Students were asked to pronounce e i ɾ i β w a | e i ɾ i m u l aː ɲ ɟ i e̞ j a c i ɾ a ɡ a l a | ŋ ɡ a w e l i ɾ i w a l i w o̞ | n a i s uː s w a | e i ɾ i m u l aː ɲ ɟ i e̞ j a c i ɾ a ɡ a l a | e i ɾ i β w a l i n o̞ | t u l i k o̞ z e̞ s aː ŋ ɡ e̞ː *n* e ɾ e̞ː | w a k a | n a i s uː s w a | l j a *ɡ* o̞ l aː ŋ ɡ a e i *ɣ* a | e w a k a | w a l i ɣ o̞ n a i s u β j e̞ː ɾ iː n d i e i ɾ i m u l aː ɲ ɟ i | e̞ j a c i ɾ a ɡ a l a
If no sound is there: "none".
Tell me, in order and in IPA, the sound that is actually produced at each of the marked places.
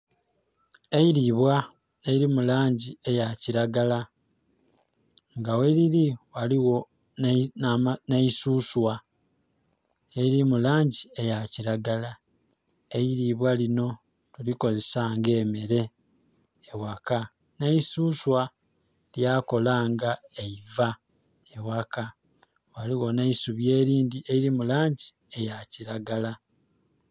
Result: m, k, v

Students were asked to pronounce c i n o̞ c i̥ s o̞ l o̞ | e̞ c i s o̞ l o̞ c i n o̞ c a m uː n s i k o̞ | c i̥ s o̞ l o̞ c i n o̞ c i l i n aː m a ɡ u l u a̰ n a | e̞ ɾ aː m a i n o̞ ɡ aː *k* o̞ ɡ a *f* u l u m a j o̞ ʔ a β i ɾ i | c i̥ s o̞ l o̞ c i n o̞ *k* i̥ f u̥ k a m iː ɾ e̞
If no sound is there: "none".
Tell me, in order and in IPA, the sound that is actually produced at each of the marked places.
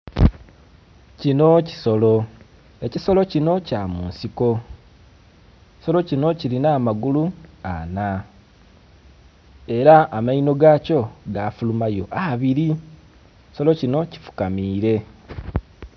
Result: c, f, c

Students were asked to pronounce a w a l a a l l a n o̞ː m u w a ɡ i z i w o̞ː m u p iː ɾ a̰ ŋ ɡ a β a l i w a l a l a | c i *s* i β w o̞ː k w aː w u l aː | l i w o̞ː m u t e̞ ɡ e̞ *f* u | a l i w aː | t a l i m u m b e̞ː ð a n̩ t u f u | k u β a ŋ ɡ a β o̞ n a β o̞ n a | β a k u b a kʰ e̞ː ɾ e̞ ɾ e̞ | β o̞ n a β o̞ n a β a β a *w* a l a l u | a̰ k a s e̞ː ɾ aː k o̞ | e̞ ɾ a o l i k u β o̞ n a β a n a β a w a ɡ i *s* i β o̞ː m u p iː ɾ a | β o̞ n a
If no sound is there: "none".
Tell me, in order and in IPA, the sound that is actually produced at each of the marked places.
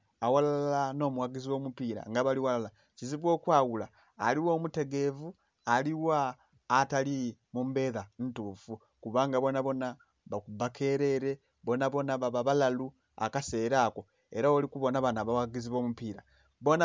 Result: z, v, β, z

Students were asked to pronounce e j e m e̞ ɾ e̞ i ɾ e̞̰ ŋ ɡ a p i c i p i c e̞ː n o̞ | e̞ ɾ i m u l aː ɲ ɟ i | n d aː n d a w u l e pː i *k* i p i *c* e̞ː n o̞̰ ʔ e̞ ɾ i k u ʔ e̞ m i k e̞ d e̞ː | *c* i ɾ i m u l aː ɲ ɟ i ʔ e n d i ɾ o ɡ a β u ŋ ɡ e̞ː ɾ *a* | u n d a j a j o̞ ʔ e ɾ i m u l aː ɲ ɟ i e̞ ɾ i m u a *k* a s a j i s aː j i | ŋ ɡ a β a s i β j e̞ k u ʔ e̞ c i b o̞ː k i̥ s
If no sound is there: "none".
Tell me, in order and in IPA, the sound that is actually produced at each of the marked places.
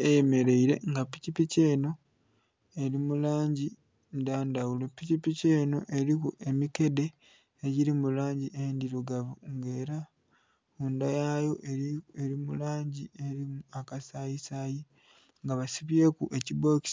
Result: c, c, ɟ, a, k

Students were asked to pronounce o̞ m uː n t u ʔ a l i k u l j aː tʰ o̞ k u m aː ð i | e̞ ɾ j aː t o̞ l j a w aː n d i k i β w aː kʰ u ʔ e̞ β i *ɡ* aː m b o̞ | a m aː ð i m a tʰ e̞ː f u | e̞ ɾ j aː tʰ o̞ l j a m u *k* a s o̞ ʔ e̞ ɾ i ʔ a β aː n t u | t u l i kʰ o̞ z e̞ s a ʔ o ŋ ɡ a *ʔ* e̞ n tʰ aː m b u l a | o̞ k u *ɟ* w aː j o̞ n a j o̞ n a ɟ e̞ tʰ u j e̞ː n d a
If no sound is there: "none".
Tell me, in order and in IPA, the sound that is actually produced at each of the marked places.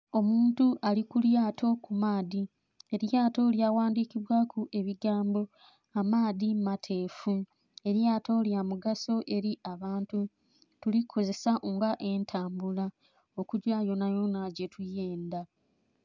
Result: ɡ, ɡ, ʔ, ɟ

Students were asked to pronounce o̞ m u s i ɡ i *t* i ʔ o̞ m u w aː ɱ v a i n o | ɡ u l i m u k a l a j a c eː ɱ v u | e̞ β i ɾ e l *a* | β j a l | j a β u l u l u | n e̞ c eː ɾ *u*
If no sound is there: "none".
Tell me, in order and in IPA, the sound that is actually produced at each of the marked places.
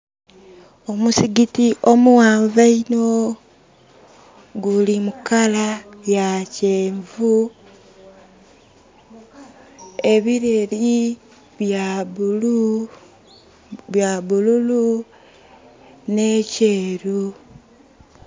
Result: t, i, u

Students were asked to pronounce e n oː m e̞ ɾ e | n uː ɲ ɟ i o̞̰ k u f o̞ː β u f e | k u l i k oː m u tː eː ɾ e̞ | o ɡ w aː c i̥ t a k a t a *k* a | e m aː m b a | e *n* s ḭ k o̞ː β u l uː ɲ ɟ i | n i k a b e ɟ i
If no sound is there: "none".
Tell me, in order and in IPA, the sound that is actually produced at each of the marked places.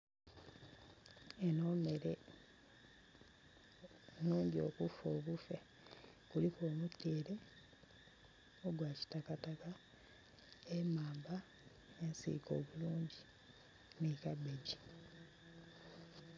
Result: k, n

